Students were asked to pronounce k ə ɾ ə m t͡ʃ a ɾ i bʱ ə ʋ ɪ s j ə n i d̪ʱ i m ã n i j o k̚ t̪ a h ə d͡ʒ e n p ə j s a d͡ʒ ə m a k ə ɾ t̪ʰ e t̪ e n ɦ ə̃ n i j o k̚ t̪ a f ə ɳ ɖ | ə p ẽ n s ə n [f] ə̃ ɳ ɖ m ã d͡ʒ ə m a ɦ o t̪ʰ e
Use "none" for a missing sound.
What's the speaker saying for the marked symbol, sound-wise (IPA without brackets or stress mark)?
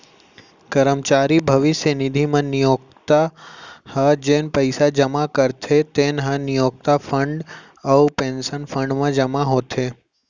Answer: f